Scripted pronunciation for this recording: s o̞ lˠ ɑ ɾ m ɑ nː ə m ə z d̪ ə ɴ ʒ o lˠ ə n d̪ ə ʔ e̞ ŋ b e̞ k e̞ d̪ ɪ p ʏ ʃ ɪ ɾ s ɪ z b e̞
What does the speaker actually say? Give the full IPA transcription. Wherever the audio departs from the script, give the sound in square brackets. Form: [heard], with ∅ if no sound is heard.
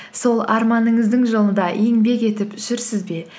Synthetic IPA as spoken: s o̞ lˠ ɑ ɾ m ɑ [n] ə [ɴ] ə z d̪ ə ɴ ʒ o lˠ ə n d̪ [ɑ] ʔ e̞ ŋ b e̞ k e̞ [t̪] ɪ p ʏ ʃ ɪ ɾ s ɪ z b e̞

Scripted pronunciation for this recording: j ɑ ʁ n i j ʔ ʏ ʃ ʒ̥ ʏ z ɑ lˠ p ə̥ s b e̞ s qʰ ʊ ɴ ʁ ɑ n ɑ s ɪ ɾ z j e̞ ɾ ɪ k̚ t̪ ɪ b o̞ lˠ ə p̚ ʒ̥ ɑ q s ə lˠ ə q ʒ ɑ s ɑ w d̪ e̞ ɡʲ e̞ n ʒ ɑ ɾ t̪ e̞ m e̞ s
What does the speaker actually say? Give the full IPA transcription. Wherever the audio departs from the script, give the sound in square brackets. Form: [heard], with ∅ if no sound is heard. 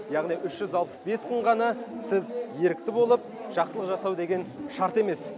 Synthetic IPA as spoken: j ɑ ʁ n i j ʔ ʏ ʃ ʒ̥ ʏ z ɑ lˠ p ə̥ s b e̞ s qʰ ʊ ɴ ʁ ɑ n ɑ s ɪ [∅] z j e̞ ɾ ɪ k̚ t̪ ɪ b o̞ lˠ ə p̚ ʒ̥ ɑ q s ə lˠ ə q ʒ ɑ s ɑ w d̪ e̞ ɡʲ e̞ n [ʃ] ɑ ɾ t̪ e̞ m e̞ s

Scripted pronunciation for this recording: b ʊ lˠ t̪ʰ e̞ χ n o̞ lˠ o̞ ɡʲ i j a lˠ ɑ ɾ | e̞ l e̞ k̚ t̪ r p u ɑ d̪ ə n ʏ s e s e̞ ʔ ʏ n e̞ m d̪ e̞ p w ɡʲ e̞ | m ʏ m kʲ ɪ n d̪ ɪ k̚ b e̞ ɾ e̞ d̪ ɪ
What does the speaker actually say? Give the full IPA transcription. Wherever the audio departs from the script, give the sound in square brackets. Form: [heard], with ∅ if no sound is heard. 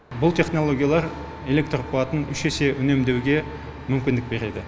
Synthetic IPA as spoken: b ʊ lˠ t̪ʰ e̞ χ n o̞ lˠ o̞ ɡʲ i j a lˠ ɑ ɾ | e̞ l e̞ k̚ t̪ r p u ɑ [t̪] ə n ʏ [ʃ] e s e̞ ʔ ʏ n e̞ m d̪ e̞ [∅] w ɡʲ e̞ | m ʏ m kʲ ɪ n d̪ ɪ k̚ b e̞ ɾ e̞ d̪ ɪ

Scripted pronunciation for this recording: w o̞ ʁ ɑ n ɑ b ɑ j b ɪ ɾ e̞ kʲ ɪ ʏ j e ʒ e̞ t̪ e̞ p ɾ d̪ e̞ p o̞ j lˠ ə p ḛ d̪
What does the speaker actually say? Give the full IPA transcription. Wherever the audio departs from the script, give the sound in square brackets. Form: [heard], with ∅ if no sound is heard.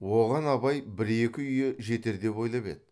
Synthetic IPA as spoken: w o̞ ʁ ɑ n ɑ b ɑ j b ɪ ɾ e̞ kʲ ɪ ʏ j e ʒ e̞ t̪ e̞ [∅] ɾ d̪ e̞ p o̞ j lˠ [ɑ] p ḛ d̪

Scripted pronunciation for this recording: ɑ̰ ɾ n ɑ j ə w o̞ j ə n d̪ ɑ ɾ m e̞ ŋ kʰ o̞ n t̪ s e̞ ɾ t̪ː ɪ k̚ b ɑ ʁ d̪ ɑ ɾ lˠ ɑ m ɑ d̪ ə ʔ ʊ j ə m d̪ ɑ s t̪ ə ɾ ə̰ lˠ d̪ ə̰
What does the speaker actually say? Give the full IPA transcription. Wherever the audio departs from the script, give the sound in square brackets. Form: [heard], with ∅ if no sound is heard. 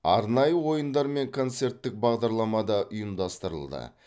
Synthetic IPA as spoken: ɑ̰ ɾ n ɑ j ə w o̞ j ə n d̪ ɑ ɾ m e̞ ŋ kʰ o̞ n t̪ s e̞ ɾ t̪ː ɪ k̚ b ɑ ʁ d̪ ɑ ɾ lˠ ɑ m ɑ d̪ [ɑ] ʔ ʊ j ə m d̪ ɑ s t̪ ə ɾ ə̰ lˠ d̪ ə̰

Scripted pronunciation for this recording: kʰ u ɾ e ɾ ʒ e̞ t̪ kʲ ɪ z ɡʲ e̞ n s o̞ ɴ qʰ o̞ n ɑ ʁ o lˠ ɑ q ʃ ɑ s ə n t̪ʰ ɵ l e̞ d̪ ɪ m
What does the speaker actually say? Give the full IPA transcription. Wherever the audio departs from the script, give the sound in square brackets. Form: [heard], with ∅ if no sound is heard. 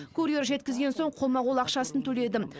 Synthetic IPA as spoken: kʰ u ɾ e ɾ ʒ e̞ t̪ kʲ ɪ z ɡʲ e̞ n s o̞ ɴ qʰ o̞ [m] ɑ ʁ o lˠ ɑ q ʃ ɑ s ə n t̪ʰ ɵ l e̞ d̪ ɪ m

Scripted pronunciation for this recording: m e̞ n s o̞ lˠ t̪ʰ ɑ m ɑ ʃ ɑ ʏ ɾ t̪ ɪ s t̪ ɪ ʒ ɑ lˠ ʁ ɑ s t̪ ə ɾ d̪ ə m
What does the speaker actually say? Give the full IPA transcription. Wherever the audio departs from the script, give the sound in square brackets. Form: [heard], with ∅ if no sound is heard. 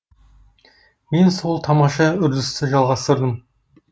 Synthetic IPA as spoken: m e̞ n s o̞ lˠ t̪ʰ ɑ m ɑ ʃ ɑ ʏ ɾ [d̪] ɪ s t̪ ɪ ʒ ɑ lˠ ʁ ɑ s t̪ ə ɾ d̪ ə m

